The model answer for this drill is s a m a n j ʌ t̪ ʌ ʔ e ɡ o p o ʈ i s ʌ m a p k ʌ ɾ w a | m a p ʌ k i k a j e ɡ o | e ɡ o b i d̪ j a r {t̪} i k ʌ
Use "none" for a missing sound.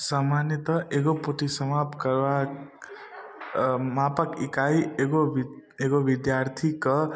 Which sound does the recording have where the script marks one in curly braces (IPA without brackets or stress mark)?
t̪ʰ